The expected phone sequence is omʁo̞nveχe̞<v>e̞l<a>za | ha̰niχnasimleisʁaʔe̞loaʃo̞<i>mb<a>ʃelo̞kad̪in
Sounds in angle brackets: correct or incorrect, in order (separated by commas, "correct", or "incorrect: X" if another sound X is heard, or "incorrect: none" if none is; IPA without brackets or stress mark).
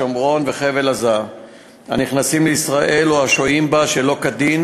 correct, correct, correct, correct